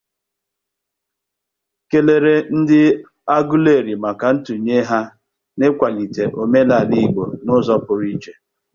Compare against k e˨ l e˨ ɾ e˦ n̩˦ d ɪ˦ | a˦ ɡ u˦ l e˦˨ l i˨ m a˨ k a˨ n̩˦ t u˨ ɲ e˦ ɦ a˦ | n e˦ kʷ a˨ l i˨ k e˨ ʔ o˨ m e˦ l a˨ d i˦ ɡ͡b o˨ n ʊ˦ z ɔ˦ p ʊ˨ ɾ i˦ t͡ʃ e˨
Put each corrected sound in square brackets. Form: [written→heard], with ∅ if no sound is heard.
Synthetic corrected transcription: k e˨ l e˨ ɾ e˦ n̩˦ d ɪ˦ | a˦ ɡ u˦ l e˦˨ [l→ɾ] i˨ m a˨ k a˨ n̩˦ t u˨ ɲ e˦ ɦ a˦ | n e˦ kʷ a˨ l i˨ [k→t] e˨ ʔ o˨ m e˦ l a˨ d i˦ ɡ͡b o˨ n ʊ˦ z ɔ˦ p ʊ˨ ɾ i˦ t͡ʃ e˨